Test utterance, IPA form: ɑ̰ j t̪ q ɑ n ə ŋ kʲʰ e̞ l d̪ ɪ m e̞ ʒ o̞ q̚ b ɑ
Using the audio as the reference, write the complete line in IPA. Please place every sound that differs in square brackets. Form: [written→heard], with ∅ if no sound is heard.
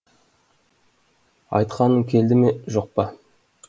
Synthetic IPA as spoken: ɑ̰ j t̪ q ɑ n ə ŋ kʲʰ e̞ l d̪ ɪ m e̞ ʒ o̞ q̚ [b→p] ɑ

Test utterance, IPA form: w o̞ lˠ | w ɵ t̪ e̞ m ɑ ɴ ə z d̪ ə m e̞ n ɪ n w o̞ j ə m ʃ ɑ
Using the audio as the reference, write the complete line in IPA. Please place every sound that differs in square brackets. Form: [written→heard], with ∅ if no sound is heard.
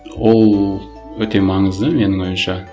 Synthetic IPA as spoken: w o̞ lˠ | w ɵ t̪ e̞ m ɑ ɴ ə z d̪ ə m e̞ n ɪ [n→ŋ] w o̞ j ə m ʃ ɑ

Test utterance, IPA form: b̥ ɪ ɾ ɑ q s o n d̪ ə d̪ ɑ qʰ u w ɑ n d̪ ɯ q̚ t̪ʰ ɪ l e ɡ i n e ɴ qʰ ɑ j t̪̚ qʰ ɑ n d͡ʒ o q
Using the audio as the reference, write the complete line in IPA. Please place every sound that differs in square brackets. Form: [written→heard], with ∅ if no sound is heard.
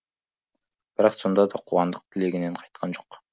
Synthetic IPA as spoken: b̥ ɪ ɾ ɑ q s o n d̪ [ə→ɑ] d̪ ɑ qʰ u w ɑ n d̪ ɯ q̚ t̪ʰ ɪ l e ɡ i n e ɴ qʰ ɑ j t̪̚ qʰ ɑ n d͡ʒ o q

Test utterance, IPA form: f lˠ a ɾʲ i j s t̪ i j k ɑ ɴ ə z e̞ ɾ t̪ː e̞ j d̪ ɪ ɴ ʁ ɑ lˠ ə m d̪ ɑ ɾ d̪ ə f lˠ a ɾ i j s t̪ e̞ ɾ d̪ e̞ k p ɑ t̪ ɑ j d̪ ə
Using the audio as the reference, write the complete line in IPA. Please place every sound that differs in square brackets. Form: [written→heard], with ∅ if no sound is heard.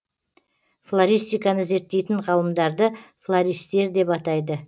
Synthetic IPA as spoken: f lˠ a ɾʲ i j s t̪ i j k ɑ [ɴ→n] ə z e̞ ɾ t̪ː e̞ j [d̪→t̪] ɪ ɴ ʁ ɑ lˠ ə m d̪ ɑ ɾ d̪ ə f lˠ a ɾ i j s t̪ e̞ ɾ d̪ e̞ [k→∅] p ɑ t̪ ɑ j d̪ ə

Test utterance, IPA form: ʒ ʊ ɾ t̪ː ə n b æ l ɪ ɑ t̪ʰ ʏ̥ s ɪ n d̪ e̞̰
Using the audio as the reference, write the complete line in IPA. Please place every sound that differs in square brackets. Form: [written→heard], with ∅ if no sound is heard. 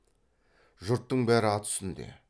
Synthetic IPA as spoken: ʒ ʊ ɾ t̪ː ə [n→ɴ] b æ [l→ɾ] ɪ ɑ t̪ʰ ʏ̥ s ɪ n d̪ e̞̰

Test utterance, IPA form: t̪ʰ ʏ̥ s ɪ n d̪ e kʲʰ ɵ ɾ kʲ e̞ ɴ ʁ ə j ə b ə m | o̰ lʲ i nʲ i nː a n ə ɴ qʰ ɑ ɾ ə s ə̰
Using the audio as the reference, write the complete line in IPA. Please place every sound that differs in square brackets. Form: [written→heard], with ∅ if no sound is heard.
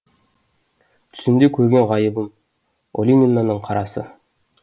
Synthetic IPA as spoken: t̪ʰ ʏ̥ s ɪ n d̪ e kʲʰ ɵ ɾ [kʲ→ɡʲ] e̞ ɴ ʁ [ə→ɑ] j ə b ə m | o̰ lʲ i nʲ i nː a n ə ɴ qʰ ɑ ɾ [ə→ɑ] s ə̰

